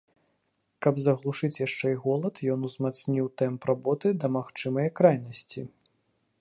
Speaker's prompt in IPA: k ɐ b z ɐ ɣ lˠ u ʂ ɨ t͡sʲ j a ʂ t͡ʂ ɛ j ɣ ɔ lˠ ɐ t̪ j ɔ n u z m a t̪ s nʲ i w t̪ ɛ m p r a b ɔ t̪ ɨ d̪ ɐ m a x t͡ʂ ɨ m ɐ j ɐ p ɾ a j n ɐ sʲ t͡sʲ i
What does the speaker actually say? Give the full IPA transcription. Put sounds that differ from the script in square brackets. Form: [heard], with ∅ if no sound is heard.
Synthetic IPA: k ɐ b z ɐ ɣ lˠ u ʂ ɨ t͡sʲ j a ʂ t͡ʂ ɛ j ɣ ɔ lˠ ɐ t̪ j ɔ n u z m a t̪ s nʲ i w t̪ ɛ m p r a b ɔ t̪ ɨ d̪ ɐ m a x t͡ʂ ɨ m ɐ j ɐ [k] ɾ a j n ɐ sʲ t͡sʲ i